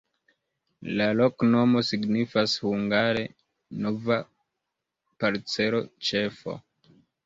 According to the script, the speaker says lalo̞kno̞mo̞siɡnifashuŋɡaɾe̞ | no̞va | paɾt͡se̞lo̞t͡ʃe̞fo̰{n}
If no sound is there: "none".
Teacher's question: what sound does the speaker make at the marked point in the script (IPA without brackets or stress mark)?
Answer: none